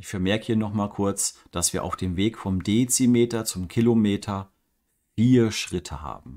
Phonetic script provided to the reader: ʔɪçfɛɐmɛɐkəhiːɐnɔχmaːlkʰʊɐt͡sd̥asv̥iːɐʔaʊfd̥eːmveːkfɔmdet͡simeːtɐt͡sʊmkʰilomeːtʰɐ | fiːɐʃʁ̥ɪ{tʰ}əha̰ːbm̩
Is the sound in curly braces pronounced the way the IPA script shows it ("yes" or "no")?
yes